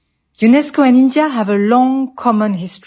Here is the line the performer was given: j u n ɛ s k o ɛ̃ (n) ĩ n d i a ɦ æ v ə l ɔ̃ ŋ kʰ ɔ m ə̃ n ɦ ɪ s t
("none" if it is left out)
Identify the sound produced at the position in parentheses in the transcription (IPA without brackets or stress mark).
n